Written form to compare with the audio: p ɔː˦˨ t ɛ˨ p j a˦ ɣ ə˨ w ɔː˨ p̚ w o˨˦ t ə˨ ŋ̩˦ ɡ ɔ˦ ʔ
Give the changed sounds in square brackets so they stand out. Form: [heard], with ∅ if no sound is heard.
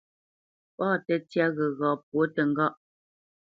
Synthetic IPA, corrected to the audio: p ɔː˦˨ t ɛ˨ [t] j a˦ ɣ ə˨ [ɣ] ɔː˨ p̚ w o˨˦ t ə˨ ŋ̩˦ ɡ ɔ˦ ʔ